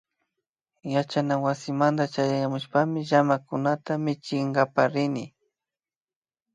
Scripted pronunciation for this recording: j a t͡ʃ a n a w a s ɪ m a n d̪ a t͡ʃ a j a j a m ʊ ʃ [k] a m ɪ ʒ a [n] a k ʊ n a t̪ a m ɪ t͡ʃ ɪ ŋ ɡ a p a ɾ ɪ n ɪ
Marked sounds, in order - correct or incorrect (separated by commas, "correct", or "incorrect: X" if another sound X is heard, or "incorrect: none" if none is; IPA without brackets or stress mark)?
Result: incorrect: p, incorrect: m